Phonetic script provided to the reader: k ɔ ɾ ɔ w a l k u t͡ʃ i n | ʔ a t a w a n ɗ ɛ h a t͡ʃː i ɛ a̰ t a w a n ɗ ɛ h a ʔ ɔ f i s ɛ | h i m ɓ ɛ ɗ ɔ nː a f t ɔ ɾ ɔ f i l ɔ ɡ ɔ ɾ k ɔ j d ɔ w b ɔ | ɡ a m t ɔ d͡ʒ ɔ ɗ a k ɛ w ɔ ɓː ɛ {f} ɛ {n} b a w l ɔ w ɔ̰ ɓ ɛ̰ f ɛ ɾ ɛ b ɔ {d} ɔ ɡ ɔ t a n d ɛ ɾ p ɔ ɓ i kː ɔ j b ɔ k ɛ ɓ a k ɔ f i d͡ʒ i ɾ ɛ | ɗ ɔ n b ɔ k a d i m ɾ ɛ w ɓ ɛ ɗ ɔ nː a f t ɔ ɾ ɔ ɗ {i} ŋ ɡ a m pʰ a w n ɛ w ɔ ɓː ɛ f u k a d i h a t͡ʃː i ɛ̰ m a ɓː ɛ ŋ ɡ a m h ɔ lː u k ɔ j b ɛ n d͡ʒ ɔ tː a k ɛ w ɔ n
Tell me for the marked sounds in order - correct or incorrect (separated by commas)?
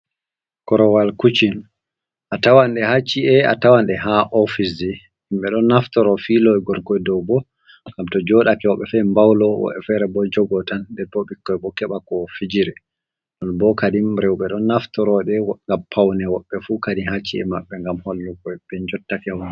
correct, incorrect, incorrect, incorrect